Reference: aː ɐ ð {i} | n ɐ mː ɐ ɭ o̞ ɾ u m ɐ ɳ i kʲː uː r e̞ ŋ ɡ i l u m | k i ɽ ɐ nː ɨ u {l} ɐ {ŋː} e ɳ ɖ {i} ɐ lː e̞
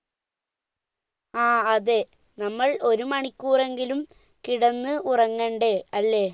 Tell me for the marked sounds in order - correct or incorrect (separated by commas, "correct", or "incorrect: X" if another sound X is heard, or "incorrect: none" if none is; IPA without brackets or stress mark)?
incorrect: e, incorrect: r, correct, incorrect: e